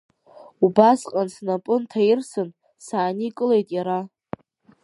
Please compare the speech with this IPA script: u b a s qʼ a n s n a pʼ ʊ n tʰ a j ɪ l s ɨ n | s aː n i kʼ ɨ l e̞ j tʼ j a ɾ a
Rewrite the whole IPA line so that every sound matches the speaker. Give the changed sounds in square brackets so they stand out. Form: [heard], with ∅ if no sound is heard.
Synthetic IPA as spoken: u b a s qʼ a n s n a pʼ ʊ n tʰ a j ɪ [r] s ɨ n | s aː n i kʼ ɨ l e̞ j tʼ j a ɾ a